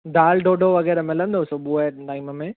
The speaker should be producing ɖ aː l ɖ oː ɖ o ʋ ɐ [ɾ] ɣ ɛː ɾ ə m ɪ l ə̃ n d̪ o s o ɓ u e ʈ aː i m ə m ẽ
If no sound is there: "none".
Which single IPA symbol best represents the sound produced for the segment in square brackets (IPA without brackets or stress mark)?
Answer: none